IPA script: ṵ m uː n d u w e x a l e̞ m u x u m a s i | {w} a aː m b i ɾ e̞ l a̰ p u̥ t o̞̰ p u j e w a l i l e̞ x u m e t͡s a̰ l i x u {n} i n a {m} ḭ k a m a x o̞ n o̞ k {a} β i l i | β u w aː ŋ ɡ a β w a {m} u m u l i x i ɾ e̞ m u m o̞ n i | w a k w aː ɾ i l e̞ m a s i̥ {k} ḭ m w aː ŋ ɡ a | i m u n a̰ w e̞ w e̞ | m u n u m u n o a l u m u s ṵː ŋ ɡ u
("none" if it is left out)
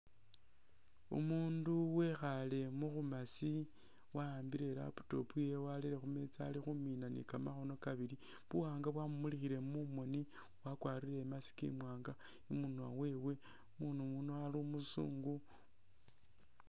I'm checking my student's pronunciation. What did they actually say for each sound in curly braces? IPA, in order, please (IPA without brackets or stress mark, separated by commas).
w, m, n, a, m, k